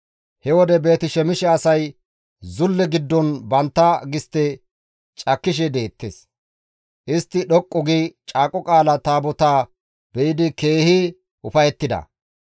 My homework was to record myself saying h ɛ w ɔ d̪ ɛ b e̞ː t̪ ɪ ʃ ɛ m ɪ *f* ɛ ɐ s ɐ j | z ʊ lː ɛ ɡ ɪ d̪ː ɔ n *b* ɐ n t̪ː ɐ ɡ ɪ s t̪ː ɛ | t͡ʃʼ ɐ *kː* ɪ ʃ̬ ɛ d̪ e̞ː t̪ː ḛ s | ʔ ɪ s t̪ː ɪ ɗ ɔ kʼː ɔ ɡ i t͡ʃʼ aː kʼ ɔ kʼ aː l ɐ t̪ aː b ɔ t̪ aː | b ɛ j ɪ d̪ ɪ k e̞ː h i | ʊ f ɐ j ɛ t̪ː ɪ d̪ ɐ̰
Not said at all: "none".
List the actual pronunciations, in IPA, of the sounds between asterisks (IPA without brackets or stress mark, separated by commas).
ʃ, b, kː